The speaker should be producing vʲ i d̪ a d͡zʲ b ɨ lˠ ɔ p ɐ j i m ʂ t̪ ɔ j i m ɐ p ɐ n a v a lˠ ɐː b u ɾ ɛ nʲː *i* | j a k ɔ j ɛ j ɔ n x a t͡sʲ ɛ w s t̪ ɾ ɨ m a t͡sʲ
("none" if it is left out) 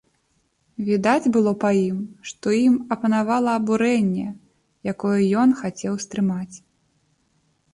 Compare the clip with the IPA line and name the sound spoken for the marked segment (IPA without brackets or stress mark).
ɛ